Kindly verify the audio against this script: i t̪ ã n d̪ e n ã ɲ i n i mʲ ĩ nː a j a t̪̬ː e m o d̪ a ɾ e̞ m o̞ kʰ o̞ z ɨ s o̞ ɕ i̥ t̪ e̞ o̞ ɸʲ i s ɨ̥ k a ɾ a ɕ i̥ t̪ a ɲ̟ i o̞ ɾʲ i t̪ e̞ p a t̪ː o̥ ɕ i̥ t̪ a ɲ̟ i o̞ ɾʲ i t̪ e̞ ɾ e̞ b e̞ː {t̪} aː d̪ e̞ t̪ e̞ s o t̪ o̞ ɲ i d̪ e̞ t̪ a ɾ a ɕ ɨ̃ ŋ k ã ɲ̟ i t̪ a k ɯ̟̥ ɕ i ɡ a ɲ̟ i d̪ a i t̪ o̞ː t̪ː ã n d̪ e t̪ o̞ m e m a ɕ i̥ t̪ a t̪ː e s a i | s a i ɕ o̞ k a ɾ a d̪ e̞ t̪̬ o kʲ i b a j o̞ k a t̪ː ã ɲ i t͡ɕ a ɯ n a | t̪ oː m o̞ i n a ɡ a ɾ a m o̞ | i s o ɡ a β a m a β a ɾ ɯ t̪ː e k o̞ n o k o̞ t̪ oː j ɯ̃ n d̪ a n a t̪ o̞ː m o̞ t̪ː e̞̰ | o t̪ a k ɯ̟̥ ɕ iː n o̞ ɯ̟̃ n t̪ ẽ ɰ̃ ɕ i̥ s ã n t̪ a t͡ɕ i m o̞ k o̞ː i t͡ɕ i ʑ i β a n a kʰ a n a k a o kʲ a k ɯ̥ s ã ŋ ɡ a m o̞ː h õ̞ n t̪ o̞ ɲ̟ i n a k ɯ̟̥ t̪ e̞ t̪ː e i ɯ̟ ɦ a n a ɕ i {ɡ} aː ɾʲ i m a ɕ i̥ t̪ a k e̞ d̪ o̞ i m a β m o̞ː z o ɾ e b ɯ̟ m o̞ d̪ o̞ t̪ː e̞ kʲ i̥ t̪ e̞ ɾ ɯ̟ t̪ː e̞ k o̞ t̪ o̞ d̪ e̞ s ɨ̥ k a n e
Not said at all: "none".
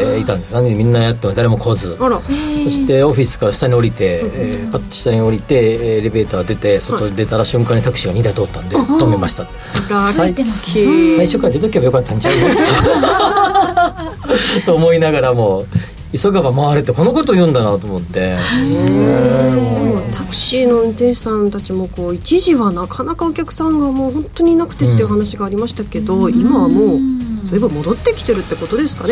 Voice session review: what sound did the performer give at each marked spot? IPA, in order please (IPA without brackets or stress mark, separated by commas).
t̪, ɡ